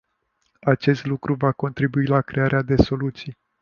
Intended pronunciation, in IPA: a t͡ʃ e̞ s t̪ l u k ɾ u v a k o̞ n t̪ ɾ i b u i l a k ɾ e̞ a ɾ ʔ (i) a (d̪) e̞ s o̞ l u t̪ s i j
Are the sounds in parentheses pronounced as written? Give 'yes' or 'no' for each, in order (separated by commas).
no, yes